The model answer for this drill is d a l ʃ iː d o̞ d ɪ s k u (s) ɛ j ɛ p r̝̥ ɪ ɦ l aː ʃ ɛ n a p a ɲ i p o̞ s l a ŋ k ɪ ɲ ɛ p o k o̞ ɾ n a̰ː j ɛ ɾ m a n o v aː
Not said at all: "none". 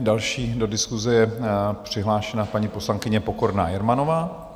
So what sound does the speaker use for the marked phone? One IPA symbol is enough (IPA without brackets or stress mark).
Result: z